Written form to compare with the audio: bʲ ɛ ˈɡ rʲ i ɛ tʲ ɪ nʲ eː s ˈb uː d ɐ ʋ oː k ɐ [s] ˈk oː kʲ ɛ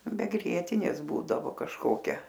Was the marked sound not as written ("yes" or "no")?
yes